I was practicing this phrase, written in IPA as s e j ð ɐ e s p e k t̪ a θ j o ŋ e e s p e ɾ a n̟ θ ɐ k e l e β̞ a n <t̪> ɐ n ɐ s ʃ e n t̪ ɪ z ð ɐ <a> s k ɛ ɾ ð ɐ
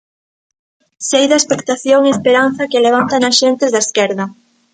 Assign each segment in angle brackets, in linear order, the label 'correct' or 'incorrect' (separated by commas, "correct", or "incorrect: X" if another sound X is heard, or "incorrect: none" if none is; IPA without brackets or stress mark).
correct, incorrect: e